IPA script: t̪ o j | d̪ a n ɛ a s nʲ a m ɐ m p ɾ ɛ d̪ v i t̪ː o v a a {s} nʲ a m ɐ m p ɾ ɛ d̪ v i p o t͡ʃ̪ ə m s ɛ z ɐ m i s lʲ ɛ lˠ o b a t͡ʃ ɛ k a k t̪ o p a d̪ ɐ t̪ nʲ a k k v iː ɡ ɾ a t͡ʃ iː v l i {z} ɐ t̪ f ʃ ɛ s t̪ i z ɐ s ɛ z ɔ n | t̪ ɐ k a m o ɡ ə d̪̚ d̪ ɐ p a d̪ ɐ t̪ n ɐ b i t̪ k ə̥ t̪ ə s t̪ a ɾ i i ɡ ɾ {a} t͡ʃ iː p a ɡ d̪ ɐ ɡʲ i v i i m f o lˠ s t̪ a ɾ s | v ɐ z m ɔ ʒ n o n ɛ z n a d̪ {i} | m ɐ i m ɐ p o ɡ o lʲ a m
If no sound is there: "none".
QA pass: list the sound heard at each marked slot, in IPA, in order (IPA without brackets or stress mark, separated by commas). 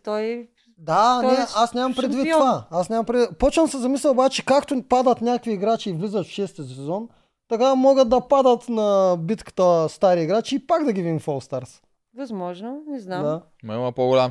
s, z, a, a